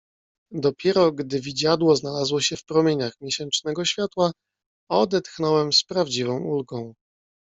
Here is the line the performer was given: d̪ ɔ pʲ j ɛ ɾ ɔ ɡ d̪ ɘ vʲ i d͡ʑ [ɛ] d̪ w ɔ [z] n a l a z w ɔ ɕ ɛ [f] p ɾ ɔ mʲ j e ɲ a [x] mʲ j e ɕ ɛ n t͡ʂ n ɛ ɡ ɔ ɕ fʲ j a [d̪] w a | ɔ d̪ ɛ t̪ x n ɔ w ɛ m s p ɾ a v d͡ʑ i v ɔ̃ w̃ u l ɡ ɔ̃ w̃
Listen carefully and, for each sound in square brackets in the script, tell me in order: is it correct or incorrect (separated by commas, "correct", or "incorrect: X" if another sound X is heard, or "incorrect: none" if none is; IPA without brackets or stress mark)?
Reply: incorrect: a, correct, correct, correct, incorrect: t̪